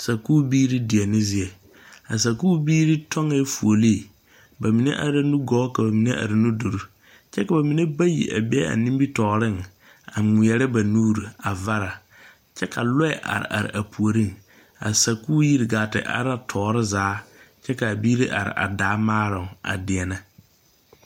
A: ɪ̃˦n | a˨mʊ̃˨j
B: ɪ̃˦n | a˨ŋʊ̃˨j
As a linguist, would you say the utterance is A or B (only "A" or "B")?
A